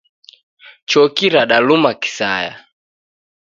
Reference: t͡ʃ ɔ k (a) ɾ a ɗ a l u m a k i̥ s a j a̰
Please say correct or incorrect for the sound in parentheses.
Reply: incorrect